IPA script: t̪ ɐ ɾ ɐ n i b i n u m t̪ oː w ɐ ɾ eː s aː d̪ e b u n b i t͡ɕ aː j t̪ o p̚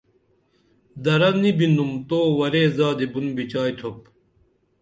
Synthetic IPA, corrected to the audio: d̪ ɐ ɾ ɐ n i b i n u m t̪ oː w ɐ ɾ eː z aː d̪ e b u n b i t͡ɕ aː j t̪ʰ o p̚